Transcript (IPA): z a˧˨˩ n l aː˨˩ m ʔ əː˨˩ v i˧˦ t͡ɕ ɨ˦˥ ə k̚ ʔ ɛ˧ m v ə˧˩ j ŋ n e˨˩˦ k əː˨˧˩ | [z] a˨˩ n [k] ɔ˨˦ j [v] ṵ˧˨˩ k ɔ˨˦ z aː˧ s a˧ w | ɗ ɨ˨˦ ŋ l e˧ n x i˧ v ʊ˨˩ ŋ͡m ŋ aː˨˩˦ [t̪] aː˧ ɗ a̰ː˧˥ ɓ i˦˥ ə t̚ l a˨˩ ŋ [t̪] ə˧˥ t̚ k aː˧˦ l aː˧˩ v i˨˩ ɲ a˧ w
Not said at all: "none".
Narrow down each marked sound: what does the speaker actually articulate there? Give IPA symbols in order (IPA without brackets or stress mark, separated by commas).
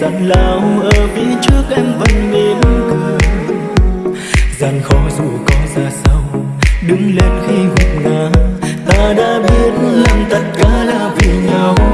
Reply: z, x, z, t̪, t̪